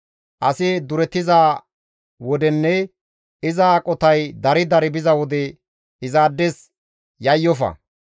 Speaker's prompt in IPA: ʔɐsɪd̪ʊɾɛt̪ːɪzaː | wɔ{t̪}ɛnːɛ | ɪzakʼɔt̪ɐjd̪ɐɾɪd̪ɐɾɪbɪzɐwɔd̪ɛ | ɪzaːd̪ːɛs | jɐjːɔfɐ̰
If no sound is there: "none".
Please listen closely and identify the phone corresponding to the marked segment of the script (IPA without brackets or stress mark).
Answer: d̪